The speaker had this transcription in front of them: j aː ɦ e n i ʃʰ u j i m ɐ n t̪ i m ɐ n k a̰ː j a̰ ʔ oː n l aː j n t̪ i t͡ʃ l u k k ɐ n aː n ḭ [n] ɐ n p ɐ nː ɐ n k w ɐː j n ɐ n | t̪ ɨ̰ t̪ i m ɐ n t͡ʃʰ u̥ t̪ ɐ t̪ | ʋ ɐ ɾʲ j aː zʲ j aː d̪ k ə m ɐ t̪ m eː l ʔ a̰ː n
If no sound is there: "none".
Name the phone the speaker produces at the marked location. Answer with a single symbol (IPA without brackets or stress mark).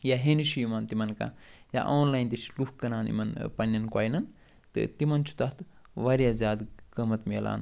m